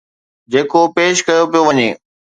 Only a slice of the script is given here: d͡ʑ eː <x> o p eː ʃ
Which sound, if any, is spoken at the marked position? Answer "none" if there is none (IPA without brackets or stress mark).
k